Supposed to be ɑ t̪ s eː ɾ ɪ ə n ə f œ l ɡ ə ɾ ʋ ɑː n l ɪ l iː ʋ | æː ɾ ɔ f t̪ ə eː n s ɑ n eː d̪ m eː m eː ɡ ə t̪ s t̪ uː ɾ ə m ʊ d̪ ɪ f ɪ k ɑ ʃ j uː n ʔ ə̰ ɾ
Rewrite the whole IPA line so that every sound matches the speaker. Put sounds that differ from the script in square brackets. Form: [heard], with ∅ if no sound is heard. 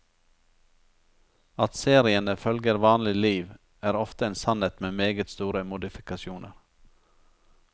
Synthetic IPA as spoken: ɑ t̪ s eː ɾ ɪ ə n ə f œ l ɡ ə ɾ ʋ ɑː n l ɪ l iː ʋ | æː ɾ ɔ f t̪ ə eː n s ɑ n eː [t̪] m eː m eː ɡ ə t̪ s t̪ uː ɾ ə m ʊ d̪ ɪ f ɪ k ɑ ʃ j uː n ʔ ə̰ ɾ

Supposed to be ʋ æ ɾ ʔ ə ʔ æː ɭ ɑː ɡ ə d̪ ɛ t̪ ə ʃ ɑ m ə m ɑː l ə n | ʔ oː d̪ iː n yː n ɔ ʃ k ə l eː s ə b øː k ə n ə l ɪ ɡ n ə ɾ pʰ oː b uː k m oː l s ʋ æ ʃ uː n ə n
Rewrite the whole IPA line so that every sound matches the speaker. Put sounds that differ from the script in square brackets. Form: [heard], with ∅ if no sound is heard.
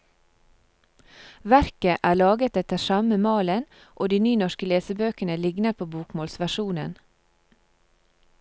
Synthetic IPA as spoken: ʋ æ ɾ [k] ə ʔ æː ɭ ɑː ɡ ə [t̪] ɛ t̪ ə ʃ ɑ m ə m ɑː l ə n | ʔ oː d̪ iː n yː n ɔ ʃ k ə l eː s ə b øː k ə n ə l ɪ ɡ n ə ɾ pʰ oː b uː k m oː l s ʋ æ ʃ uː n ə n

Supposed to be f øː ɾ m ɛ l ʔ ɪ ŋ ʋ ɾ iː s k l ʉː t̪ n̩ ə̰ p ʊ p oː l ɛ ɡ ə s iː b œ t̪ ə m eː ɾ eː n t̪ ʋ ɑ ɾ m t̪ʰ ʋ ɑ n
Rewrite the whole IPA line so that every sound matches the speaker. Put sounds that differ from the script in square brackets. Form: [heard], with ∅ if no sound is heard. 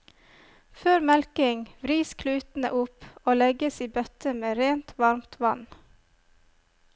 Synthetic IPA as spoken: f øː ɾ m ɛ l [k] ɪ ŋ ʋ ɾ iː s [kʰ] l ʉː t̪ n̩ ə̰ [ʔ] ʊ p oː l ɛ ɡ ə s iː b œ t̪ ə m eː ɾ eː n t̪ ʋ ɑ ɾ m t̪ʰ ʋ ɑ n

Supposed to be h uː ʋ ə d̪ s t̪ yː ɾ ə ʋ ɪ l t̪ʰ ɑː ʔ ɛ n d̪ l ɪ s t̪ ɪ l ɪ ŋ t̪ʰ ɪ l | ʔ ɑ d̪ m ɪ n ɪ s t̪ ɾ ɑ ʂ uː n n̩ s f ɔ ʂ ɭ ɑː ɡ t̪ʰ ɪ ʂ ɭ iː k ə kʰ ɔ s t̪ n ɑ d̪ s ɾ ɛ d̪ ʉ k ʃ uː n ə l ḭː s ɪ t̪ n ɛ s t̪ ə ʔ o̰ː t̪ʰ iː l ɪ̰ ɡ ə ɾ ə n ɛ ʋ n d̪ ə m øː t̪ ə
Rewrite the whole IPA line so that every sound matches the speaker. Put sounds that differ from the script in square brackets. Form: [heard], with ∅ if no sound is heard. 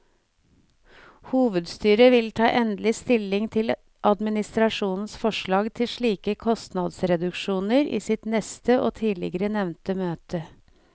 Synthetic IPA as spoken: h uː ʋ ə d̪ s t̪ yː ɾ ə ʋ ɪ l t̪ʰ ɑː ʔ ɛ n d̪ l ɪ s t̪ ɪ l ɪ ŋ t̪ʰ ɪ l | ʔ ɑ d̪ m ɪ n ɪ s t̪ ɾ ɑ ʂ uː n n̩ s f ɔ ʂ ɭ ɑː ɡ t̪ʰ ɪ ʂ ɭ iː k ə kʰ ɔ s t̪ n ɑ d̪ s ɾ ɛ d̪ ʉ k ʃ uː n ə [ɾ] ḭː s ɪ t̪ n ɛ s t̪ ə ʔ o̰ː t̪ʰ iː l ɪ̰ ɡ ə ɾ ə n ɛ ʋ n [t̪] ə m øː t̪ ə

